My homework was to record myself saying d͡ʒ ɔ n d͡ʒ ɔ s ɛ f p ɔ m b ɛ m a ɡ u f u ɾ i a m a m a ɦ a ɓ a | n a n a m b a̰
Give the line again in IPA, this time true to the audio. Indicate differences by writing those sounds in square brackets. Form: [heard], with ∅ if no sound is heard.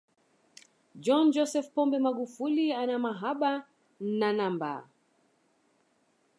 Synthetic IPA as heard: d͡ʒ ɔ n d͡ʒ ɔ s ɛ f p ɔ m b ɛ m a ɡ u f u [l] i a [n] a m a ɦ a ɓ a | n a n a m b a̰

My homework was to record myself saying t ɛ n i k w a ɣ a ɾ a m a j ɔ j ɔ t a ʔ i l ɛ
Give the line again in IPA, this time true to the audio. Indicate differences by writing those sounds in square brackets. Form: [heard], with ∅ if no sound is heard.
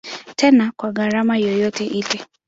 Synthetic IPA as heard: t ɛ n [a] k w a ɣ a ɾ a m a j ɔ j ɔ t [ɛ] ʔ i l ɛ

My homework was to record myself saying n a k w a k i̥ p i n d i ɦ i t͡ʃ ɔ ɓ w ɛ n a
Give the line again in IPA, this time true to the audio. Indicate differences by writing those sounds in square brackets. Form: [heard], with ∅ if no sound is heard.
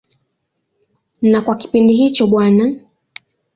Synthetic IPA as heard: n a k w a k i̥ p i n d i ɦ i t͡ʃ ɔ ɓ w [a] n a

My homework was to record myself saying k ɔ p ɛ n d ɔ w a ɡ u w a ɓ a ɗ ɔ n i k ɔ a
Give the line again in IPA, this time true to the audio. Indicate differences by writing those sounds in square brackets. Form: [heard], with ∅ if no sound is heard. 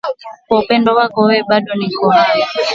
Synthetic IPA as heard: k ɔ p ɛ n d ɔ w a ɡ [ɔ] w [ɛ] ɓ a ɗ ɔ n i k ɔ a

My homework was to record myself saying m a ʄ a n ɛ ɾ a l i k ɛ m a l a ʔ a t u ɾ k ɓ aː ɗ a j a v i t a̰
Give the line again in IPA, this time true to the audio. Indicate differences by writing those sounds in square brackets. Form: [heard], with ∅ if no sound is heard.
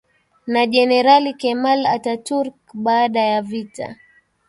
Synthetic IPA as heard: [n] a ʄ [ɛ] n ɛ ɾ a l i k ɛ m a l a [t] a t u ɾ k ɓ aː ɗ a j a v i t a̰

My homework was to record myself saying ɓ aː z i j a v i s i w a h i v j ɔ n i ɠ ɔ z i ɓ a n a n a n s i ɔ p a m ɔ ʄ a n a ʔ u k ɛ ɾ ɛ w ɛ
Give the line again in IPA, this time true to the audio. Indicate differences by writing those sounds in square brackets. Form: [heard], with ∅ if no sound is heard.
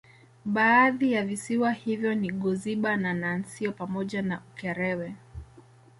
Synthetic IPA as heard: ɓ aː [ð] i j a v i s i w a h i v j ɔ n i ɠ ɔ z i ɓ a n a n a n s i ɔ p a m ɔ ʄ a n a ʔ u k ɛ ɾ ɛ w ɛ

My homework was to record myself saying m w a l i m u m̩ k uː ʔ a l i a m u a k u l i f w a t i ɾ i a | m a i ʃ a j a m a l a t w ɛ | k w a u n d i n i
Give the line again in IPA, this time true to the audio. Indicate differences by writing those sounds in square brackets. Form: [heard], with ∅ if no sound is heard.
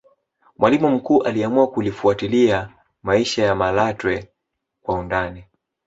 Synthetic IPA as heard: m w a l i m u m̩ k uː ʔ a l i a m u a k u l i f [u] a t i [l] i a | m a i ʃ a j a m a l a t w ɛ | k w a u n d [a] n i

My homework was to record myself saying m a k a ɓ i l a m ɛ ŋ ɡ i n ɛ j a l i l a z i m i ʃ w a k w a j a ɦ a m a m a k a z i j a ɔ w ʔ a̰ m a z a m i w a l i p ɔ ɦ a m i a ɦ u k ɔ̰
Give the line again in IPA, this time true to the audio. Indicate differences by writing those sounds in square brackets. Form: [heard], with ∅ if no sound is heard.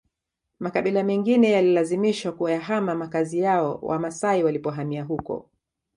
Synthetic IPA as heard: m a k a ɓ i l a m ɛ ŋ ɡ i n ɛ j a l i l a z i m i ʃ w a k [u] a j a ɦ a m a m a k a z i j a ɔ w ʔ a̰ m a [s] a [∅] i w a l i p ɔ ɦ a m i a ɦ u k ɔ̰

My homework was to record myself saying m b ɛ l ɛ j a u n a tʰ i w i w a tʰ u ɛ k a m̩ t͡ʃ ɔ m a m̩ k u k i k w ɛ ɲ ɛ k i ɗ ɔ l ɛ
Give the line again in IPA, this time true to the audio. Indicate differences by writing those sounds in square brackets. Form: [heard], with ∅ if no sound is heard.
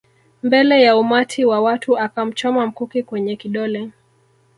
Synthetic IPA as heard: m b ɛ l ɛ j a u [m] a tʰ i w [a] w a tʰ u [a] k a m̩ t͡ʃ ɔ m a m̩ k u k i k w ɛ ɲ ɛ k i ɗ ɔ l ɛ

